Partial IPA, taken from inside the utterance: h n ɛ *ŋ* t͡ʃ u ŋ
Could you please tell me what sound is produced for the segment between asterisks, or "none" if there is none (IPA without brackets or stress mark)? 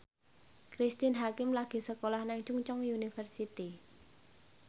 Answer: ŋ